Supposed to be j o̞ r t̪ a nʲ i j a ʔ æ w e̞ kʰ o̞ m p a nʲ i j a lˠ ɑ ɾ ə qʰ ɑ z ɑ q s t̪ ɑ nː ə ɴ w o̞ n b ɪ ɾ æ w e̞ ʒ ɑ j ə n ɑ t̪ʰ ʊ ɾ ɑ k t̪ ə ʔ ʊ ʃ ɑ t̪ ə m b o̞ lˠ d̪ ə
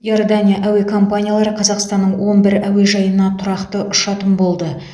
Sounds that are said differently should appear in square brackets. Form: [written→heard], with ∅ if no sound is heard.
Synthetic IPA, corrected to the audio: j o̞ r [t̪→d̪] a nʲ i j a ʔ æ w e̞ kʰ o̞ m p a nʲ i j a lˠ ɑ ɾ ə qʰ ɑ z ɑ q s t̪ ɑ nː ə ɴ w o̞ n b ɪ ɾ æ w e̞ ʒ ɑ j ə n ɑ t̪ʰ ʊ ɾ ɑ [k→q] t̪ ə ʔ ʊ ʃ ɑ t̪ ə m b o̞ lˠ d̪ ə